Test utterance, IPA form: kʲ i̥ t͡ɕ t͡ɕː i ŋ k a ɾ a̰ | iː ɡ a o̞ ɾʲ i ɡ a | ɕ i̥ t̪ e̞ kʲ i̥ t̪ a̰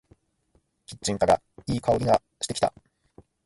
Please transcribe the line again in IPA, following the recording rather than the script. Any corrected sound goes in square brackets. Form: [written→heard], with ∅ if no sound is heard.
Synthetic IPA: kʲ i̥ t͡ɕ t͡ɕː [i→ĩ] ŋ k a ɾ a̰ | iː [ɡ→k] a o̞ ɾʲ i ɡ a | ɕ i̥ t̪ e̞ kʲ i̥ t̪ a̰

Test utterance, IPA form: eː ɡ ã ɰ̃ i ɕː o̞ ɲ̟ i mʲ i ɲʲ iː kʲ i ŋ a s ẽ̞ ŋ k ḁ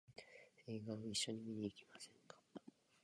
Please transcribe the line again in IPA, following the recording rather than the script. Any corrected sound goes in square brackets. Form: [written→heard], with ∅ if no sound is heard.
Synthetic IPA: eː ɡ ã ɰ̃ i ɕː o̞ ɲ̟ i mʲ i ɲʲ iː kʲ i [ŋ→m] a s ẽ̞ ŋ k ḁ

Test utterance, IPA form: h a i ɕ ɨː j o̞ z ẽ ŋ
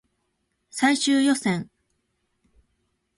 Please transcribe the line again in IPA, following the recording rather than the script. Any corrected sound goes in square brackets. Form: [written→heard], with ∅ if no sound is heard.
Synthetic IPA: [h→s] a i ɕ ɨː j o̞ [z→s] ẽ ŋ

